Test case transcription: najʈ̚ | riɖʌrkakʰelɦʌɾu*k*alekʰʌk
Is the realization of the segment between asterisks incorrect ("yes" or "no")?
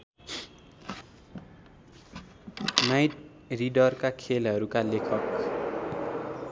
no